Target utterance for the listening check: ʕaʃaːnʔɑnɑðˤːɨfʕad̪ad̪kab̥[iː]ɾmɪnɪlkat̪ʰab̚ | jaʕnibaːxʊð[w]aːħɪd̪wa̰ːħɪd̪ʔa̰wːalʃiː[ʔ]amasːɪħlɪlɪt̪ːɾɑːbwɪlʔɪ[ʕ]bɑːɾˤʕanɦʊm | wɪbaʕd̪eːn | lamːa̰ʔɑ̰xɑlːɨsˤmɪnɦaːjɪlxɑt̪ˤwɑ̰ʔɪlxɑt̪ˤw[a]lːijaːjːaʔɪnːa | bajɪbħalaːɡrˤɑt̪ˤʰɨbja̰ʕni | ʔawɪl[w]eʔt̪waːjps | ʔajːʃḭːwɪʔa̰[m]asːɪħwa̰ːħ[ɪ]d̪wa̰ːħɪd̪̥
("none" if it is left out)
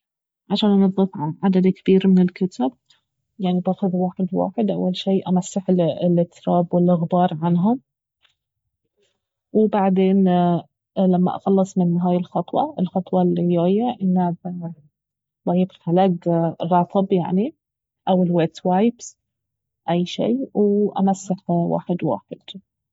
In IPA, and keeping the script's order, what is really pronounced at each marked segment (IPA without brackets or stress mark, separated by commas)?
iː, w, ʔ, ɣ, ɑ, w, m, ɪ